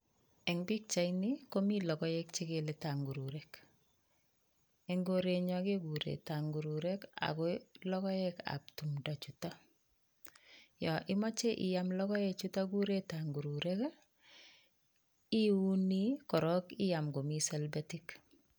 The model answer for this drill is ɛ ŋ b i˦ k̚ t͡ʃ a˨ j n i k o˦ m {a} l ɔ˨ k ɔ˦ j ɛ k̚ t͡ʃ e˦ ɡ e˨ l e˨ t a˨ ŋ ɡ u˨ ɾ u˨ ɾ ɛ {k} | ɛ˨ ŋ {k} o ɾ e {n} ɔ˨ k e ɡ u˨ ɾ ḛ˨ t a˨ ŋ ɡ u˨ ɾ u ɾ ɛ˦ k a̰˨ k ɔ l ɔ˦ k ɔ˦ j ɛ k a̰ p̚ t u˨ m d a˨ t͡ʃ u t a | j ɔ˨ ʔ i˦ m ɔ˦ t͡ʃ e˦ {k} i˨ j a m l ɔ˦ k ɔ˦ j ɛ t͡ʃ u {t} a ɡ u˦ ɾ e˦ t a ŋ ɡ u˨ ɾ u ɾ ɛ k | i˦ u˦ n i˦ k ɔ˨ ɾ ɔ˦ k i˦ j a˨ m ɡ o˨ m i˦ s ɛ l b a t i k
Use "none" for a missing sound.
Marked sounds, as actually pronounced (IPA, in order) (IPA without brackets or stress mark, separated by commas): i, k, ɡ, ɲ, ʔ, t